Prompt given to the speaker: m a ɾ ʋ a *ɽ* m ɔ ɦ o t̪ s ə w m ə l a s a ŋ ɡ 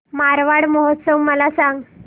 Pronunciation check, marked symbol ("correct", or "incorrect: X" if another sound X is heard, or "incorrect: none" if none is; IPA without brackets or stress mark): correct